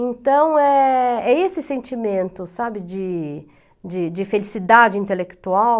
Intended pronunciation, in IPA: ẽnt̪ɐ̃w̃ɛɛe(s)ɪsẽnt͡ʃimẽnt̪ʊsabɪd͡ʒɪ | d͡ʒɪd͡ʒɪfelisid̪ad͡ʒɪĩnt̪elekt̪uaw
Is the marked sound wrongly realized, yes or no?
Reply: no